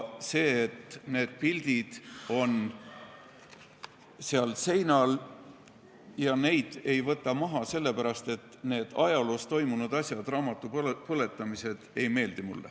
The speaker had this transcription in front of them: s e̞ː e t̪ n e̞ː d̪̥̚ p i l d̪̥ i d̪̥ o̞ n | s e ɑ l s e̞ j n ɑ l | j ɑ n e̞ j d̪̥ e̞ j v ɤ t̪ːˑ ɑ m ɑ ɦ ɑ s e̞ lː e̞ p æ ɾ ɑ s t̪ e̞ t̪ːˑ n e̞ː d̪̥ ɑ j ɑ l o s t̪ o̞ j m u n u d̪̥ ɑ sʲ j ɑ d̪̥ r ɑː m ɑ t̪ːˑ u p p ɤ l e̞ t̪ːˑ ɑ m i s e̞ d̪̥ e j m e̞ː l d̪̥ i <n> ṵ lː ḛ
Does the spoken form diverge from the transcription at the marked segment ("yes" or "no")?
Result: yes